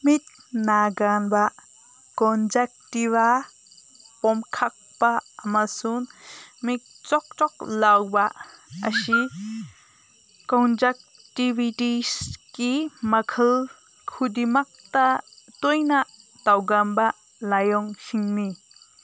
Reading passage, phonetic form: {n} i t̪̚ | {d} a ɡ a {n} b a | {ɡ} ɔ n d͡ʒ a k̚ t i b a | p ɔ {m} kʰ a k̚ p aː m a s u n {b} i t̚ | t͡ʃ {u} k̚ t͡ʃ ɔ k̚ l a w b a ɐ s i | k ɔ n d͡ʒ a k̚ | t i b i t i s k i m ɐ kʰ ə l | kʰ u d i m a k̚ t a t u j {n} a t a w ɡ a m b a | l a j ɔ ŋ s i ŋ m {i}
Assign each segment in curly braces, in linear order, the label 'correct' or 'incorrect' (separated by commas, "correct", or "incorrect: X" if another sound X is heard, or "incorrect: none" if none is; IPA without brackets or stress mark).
incorrect: m, incorrect: n, correct, incorrect: k, correct, incorrect: m, incorrect: ɔ, correct, correct